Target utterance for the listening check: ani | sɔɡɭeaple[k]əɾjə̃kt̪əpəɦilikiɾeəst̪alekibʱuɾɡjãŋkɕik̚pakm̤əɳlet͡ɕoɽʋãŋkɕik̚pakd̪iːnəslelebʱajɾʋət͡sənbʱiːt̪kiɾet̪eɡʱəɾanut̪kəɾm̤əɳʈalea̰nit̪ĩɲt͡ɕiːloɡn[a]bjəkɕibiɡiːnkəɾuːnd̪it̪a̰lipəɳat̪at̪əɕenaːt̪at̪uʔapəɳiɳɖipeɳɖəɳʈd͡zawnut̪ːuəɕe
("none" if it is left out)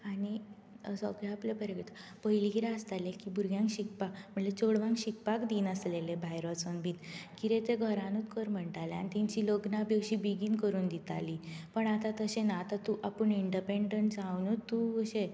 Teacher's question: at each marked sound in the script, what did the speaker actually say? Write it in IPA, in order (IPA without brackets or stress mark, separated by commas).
p, a